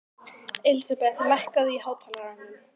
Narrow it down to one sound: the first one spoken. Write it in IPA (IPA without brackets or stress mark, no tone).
ɪ